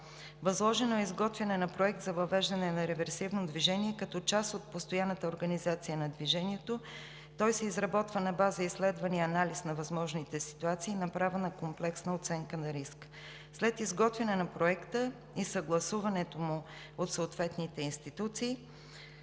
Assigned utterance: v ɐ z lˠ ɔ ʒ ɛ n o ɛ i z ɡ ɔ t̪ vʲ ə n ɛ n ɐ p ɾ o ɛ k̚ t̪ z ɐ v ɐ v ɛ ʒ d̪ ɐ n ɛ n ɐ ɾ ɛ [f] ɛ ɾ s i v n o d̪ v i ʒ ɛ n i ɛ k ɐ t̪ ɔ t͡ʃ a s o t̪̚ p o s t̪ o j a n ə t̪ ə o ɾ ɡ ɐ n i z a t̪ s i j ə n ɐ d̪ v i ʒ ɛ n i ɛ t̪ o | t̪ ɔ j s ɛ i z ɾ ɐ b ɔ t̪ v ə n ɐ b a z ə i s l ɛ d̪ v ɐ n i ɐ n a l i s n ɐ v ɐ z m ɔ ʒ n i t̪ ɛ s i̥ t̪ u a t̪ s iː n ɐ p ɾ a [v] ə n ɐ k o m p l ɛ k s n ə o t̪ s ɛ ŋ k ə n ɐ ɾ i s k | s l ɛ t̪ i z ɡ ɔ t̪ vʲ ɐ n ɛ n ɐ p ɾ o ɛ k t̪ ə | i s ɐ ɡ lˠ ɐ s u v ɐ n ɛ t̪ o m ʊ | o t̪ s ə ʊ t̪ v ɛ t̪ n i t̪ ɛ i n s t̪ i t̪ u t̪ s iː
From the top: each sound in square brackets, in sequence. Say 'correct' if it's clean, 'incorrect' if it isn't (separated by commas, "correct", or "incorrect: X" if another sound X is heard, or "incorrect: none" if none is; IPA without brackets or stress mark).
incorrect: v, correct